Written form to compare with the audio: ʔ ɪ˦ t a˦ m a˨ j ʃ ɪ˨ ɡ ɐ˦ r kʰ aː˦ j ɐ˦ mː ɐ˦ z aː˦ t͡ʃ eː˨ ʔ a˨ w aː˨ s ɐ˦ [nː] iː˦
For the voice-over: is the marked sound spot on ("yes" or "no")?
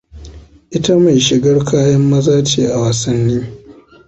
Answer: yes